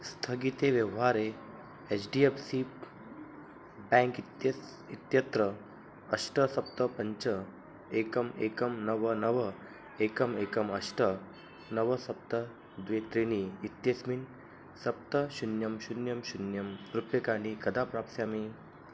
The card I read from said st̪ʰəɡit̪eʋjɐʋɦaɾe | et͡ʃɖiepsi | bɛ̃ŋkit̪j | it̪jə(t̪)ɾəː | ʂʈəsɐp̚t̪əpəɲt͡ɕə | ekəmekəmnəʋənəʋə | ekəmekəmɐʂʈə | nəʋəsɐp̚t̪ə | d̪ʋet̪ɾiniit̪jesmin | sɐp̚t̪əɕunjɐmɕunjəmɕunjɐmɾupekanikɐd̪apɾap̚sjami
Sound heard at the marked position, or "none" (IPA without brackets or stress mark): t̪